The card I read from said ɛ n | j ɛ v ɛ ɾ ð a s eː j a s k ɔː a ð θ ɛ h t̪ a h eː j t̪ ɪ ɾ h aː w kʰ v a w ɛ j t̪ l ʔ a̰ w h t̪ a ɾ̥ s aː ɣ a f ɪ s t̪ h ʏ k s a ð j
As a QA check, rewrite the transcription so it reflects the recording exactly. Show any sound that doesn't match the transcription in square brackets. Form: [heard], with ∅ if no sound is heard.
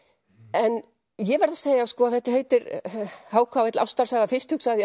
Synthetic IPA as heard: ɛ n | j ɛ v ɛ ɾ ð a s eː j a s k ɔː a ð θ ɛ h t̪ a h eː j t̪ ɪ ɾ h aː w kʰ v a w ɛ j t̪ l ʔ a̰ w [s] t̪ a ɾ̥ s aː ɣ a f ɪ s t̪ h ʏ k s a ð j